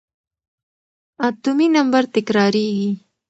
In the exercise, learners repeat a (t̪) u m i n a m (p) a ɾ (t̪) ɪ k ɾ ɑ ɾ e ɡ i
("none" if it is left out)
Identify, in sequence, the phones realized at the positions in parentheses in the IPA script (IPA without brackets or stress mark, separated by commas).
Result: t̪, b, t̪